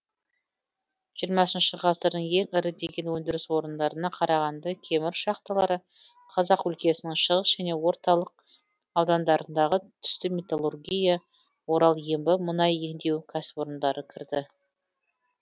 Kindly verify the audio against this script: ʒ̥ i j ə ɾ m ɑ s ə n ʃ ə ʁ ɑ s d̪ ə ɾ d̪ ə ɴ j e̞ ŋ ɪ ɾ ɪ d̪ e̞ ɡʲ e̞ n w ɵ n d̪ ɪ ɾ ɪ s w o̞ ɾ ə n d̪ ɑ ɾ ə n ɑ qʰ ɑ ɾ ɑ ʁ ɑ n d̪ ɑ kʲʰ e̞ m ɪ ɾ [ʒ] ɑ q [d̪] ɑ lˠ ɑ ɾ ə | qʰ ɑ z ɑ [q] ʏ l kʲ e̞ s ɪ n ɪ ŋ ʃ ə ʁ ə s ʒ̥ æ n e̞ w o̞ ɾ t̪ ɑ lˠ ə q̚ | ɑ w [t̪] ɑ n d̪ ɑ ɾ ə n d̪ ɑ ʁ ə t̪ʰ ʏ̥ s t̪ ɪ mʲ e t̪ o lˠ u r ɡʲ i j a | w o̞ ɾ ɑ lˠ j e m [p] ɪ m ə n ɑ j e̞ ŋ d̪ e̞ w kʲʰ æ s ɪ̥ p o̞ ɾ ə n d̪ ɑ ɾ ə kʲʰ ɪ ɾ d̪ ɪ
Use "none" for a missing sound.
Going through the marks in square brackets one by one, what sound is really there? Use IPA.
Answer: ʃ, t̪, q, d̪, b

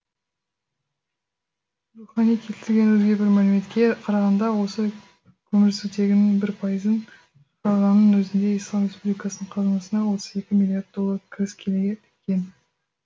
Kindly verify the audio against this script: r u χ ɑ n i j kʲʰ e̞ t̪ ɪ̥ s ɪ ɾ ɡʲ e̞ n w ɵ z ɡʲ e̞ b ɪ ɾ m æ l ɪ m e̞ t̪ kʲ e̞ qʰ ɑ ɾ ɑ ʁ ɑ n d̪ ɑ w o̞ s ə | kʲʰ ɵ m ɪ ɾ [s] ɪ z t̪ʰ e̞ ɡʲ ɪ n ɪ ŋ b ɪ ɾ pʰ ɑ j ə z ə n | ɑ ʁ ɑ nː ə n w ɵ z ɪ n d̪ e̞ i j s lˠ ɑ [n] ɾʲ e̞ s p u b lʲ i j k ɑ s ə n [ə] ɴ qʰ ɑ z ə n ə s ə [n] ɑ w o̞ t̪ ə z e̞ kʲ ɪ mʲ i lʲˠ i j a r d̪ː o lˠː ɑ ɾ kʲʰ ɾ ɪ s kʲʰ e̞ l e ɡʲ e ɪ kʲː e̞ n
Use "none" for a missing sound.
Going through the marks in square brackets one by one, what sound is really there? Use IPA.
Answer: s, m, ə, n

